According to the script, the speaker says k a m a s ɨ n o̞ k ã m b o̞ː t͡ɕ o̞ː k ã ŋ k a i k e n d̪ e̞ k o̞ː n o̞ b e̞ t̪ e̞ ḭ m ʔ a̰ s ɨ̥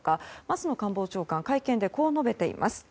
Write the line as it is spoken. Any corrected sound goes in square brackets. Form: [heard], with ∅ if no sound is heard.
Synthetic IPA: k a m a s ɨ n o̞ k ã m b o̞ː t͡ɕ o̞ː k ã ŋ k a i k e n d̪ e̞ k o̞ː n o̞ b e̞ t̪ e̞ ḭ m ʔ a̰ s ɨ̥